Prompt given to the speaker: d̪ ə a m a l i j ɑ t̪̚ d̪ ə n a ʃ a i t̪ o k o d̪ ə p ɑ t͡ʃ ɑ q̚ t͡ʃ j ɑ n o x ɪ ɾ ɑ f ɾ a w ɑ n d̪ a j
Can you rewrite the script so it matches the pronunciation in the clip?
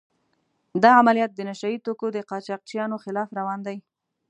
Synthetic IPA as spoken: d̪ ɑ a m a l i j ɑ t̪̚ d̪ ə n a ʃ a i t̪ o k o d̪ ə q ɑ t͡ʃ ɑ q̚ t͡ʃ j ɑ n o x ɪ l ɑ f ɾ a w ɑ n d̪ a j